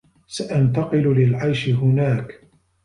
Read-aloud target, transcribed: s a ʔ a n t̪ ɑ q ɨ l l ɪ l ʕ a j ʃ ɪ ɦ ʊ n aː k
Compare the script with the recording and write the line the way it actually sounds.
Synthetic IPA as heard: s a ʔ a n t̪ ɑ q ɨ l l ɪ l ʕ a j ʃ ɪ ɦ ʊ n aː k